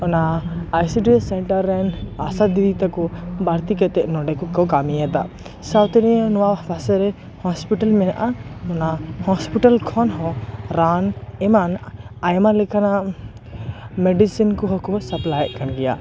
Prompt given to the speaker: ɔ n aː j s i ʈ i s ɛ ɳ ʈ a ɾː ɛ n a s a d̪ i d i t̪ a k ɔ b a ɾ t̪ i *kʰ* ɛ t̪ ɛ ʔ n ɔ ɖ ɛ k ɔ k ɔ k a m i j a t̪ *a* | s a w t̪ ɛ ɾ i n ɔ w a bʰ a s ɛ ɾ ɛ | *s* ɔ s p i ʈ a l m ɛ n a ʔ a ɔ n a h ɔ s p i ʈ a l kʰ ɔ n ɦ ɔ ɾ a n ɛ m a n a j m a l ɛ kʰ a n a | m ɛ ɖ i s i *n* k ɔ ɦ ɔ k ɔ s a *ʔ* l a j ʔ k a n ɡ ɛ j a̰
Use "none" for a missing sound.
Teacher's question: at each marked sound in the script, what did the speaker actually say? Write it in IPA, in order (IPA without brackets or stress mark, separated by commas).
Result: k, a, h, n, p